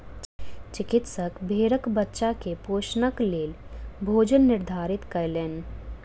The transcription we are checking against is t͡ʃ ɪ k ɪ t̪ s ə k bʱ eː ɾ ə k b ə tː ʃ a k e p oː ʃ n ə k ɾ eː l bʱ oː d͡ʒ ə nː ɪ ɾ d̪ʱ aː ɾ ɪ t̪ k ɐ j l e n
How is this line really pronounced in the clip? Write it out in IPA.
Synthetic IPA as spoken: t͡ʃ ɪ k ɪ t̪ s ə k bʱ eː ɾ ə k b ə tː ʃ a k e p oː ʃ n ə k l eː l bʱ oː d͡ʒ ə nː ɪ ɾ d̪ʱ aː ɾ ɪ t̪ k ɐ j l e n